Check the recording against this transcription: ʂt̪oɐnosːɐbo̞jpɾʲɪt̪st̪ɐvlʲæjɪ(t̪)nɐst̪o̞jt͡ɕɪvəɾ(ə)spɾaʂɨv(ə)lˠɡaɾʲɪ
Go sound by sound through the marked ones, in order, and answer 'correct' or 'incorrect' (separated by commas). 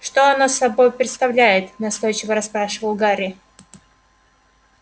correct, incorrect, correct